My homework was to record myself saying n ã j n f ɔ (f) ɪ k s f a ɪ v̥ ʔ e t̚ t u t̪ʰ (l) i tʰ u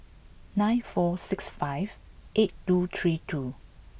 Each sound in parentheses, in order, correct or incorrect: incorrect: s, incorrect: ɹ

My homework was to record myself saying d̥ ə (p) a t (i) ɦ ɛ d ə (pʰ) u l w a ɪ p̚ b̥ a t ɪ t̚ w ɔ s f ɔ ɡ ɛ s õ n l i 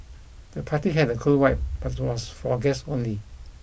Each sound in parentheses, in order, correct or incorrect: incorrect: pʰ, correct, incorrect: kʰ

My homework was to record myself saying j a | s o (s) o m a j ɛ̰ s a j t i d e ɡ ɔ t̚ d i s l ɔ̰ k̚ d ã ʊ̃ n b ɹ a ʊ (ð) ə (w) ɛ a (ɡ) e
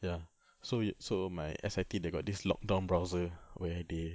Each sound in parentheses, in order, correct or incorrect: correct, incorrect: z, correct, incorrect: d

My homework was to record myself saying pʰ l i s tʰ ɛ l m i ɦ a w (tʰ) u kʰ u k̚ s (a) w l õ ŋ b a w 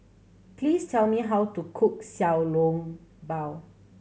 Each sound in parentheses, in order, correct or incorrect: incorrect: t, correct

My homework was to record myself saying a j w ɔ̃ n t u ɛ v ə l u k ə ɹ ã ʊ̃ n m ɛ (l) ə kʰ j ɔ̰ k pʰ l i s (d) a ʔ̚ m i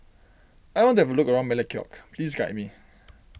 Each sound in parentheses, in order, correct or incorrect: correct, incorrect: ɡ

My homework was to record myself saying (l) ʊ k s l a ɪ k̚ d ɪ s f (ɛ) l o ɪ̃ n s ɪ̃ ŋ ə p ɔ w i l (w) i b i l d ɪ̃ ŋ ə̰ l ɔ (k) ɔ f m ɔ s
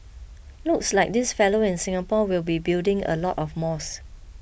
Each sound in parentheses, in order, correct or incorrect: correct, correct, incorrect: b, incorrect: t

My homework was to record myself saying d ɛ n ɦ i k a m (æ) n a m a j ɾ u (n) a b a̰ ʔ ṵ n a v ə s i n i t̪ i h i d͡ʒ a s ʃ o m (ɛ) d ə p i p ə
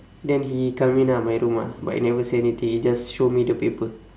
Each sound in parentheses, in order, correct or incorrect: incorrect: i, incorrect: m, incorrect: i

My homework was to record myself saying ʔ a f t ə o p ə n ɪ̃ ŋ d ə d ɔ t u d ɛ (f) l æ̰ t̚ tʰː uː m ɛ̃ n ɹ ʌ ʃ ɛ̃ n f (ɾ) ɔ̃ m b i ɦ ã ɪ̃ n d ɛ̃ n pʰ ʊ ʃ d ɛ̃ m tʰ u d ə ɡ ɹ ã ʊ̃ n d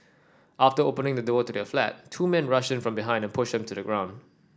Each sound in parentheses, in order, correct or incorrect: correct, incorrect: ɹ

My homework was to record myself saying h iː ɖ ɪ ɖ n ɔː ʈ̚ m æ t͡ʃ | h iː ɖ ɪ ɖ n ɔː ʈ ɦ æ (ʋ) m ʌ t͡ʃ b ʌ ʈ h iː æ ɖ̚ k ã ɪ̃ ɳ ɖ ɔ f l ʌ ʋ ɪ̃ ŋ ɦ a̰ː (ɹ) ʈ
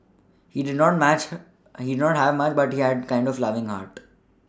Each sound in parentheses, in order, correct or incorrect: correct, incorrect: ɾ

